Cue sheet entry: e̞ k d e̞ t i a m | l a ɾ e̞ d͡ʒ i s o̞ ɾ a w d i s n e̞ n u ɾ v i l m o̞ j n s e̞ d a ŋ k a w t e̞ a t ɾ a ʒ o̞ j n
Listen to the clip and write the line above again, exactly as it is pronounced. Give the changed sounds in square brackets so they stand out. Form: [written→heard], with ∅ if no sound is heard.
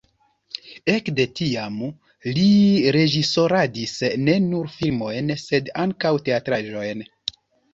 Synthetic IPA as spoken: e̞ k d e̞ t i a m | l [a→i] ɾ e̞ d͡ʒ i s o̞ ɾ a [w→∅] d i s n e̞ n u ɾ [v→f] i l m o̞ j n s e̞ d a ŋ k a w t e̞ a t ɾ a ʒ o̞ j n